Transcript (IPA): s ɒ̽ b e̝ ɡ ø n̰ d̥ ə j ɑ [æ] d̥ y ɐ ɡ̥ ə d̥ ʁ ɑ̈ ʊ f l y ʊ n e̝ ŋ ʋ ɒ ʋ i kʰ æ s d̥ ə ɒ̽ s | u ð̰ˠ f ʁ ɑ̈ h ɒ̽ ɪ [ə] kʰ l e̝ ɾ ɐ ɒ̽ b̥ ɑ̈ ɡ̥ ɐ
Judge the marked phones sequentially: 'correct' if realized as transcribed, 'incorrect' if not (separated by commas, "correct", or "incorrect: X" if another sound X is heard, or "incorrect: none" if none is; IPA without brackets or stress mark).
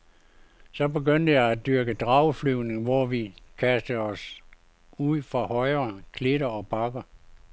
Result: correct, incorrect: ɐ